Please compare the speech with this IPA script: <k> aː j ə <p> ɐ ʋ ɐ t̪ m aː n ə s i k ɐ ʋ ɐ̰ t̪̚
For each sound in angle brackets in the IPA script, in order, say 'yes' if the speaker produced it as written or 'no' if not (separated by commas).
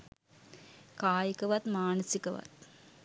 yes, no